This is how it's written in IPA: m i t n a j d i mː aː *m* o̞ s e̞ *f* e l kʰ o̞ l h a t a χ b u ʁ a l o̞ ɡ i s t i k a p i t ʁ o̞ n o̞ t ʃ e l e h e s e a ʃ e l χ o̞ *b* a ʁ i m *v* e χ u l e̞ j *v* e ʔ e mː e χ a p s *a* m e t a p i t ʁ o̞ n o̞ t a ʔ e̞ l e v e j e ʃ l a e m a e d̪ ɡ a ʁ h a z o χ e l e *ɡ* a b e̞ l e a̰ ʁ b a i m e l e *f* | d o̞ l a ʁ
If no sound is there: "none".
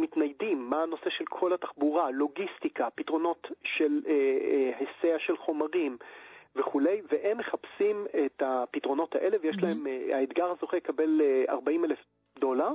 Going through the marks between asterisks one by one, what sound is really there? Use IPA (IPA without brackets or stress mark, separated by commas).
n, ʃ, m, v, v, i, k, f